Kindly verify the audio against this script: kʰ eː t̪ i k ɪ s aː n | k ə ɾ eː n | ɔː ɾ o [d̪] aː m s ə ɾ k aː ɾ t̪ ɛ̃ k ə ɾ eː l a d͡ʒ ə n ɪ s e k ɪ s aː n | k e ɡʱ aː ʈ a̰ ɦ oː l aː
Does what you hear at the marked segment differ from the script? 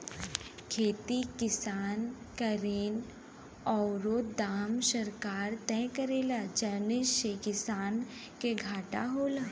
no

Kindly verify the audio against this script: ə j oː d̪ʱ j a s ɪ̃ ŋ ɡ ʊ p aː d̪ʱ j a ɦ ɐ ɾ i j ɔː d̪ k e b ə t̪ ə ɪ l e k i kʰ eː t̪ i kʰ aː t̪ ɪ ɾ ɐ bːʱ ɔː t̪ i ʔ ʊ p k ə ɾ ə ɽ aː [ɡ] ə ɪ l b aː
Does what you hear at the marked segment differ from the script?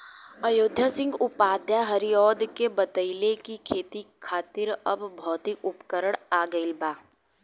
no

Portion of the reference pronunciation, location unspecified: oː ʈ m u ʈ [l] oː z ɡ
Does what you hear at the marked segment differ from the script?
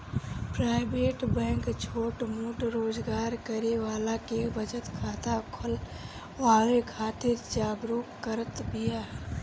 yes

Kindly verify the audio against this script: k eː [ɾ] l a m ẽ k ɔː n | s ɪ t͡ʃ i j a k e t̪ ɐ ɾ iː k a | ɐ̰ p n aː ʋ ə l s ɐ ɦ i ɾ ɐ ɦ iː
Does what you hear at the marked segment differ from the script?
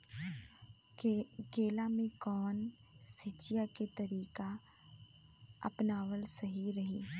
yes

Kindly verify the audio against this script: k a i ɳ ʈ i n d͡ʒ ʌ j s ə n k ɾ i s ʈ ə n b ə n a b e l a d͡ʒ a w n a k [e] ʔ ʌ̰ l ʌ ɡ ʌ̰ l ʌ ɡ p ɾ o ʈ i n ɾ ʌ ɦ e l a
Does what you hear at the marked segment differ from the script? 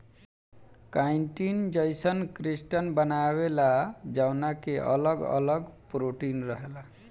no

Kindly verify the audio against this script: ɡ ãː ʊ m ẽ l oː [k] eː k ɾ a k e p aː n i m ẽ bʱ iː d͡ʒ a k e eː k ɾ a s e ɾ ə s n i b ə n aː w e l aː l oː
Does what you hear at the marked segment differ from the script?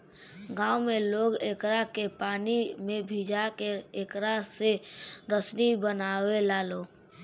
yes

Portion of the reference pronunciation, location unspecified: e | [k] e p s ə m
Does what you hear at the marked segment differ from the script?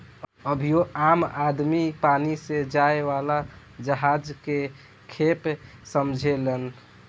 yes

